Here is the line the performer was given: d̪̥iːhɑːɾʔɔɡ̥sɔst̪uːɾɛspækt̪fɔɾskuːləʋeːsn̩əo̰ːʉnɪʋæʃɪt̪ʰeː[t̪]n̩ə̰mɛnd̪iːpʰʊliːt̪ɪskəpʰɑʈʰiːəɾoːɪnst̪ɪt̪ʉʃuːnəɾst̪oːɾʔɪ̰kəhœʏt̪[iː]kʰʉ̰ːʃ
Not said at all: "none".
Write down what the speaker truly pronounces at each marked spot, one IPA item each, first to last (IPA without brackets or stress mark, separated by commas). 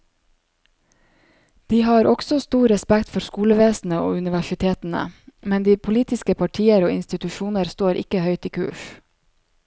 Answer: t̪, iː